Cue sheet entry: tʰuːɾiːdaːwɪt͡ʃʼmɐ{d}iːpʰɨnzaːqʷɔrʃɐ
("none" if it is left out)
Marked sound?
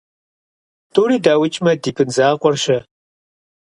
d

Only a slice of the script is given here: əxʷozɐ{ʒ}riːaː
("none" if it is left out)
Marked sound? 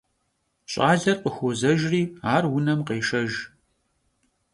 ʒ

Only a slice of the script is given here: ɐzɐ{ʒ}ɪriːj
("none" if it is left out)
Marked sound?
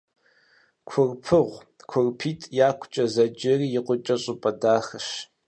d͡ʒ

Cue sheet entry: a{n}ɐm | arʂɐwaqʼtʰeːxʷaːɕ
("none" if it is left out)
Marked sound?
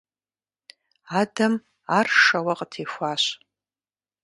d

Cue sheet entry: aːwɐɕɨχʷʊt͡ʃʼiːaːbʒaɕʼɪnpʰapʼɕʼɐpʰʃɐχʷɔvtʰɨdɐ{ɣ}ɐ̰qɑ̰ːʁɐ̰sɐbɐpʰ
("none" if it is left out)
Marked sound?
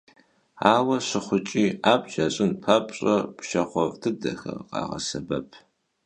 x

